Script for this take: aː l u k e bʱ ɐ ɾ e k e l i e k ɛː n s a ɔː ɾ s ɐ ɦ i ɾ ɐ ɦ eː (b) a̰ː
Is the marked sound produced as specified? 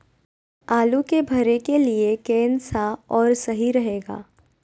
no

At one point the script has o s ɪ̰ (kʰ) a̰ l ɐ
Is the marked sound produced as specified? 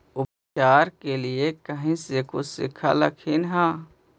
yes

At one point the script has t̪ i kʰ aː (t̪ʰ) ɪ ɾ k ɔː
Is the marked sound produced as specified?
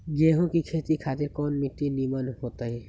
no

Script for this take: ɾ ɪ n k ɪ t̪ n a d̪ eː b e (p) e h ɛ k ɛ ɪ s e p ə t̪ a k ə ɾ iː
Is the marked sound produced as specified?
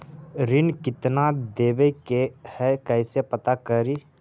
no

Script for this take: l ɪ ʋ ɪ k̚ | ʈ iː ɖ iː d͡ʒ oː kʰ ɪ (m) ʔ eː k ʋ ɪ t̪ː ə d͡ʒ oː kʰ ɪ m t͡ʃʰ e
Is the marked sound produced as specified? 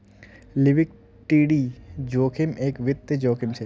yes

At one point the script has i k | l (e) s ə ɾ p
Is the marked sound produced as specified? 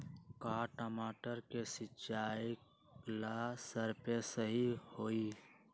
no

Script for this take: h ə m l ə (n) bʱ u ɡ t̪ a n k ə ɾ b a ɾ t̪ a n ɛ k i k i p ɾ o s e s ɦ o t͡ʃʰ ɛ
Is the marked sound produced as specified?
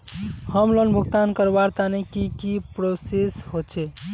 yes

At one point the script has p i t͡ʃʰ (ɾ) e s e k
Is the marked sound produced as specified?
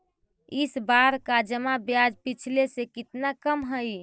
no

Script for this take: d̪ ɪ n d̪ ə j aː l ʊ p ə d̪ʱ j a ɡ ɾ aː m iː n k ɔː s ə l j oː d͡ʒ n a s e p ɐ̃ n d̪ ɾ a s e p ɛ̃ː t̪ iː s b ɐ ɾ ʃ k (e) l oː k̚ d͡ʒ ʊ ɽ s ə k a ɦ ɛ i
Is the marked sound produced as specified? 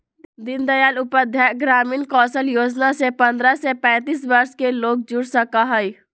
yes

